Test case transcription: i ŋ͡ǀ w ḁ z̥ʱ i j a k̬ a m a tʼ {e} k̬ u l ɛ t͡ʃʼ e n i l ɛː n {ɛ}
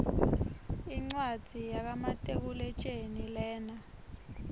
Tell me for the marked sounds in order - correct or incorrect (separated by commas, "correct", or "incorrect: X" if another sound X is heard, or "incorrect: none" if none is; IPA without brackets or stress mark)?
correct, incorrect: a